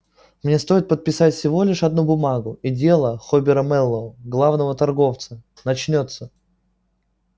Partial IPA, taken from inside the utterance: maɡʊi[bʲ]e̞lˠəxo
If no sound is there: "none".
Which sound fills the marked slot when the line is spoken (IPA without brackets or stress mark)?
dʲ